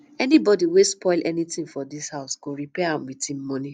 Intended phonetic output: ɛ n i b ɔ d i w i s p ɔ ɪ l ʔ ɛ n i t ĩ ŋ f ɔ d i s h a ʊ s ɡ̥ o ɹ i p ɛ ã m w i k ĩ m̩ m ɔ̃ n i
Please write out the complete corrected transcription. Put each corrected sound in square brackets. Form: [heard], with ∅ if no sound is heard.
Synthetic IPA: ɛ n i b ɔ d i w [e] s p ɔ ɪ l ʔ ɛ n i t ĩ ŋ f ɔ d i s h a ʊ s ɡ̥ o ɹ i p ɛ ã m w i [t] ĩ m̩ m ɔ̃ n i